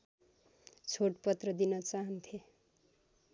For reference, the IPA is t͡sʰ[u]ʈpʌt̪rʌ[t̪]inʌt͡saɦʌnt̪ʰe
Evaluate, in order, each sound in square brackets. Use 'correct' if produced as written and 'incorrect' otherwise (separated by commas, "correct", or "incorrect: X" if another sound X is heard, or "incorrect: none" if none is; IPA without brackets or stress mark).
incorrect: o, incorrect: d̪